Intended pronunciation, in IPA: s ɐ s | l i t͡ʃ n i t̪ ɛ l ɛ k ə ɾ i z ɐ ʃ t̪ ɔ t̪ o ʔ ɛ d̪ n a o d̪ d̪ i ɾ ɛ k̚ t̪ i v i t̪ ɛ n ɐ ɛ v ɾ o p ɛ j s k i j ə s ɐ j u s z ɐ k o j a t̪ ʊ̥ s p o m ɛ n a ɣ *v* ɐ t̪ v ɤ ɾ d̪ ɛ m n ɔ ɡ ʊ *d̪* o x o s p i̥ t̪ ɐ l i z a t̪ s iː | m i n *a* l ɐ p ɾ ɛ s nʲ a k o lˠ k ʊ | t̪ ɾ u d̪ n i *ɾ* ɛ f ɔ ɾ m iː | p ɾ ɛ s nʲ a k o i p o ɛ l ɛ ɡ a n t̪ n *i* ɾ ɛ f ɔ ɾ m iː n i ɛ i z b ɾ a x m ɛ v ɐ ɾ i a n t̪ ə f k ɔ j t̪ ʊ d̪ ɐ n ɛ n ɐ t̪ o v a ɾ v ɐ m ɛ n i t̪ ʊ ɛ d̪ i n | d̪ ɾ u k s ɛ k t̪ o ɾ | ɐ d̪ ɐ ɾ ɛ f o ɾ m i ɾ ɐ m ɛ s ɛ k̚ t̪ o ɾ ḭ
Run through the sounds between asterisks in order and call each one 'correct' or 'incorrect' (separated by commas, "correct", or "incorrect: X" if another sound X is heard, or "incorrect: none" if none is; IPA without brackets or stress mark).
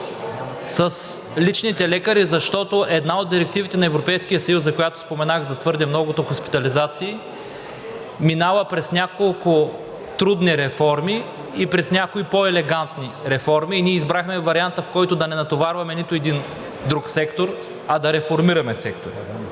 incorrect: z, incorrect: t̪, correct, correct, correct